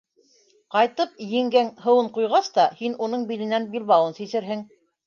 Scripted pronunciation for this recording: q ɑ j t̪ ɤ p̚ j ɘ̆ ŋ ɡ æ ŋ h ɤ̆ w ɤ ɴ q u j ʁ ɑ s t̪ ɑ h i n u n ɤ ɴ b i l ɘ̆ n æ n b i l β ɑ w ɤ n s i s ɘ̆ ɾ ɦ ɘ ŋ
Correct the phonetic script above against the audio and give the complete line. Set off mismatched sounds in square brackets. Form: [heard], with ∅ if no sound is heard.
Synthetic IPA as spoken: q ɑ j t̪ ɤ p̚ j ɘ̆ ŋ ɡ æ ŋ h ɤ̆ w ɤ ɴ q u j ʁ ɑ s t̪ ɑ h i n u n ɤ ɴ b i l ɘ̆ n æ n b i l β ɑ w ɤ n s i s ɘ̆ ɾ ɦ ɘ ŋ